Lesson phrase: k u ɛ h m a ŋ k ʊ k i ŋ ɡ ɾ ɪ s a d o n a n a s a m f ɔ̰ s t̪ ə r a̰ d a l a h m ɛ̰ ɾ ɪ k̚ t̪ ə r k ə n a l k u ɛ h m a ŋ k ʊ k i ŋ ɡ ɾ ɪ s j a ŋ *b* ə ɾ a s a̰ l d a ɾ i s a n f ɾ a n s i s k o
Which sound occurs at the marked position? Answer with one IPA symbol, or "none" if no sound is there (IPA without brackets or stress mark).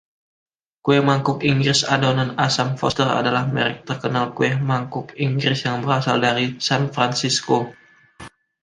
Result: b